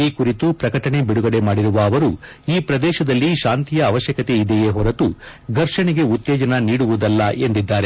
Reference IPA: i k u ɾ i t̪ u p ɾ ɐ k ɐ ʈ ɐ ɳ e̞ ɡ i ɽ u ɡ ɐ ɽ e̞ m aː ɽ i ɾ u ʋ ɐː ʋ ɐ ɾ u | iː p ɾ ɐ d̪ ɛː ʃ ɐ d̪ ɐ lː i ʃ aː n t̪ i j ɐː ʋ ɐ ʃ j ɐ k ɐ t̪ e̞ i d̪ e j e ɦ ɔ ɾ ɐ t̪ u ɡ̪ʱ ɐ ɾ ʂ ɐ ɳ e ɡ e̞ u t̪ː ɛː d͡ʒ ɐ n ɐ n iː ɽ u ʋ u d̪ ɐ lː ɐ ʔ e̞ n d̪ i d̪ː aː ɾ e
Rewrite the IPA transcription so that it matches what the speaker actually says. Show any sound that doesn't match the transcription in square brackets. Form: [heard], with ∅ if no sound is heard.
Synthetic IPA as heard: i k u ɾ i t̪ u p ɾ ɐ k ɐ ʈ ɐ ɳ e̞ [b] i ɽ u ɡ ɐ ɽ e̞ m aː ɽ i ɾ u ʋ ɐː ʋ ɐ ɾ u | iː p ɾ ɐ d̪ ɛː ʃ ɐ d̪ ɐ lː i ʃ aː n t̪ i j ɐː ʋ ɐ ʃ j ɐ k ɐ t̪ e̞ i d̪ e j e ɦ ɔ ɾ ɐ t̪ u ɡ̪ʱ ɐ ɾ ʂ ɐ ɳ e ɡ e̞ u t̪ː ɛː d͡ʒ ɐ n ɐ n iː ɽ u ʋ u d̪ ɐ lː ɐ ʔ e̞ n d̪ i d̪ː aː ɾ e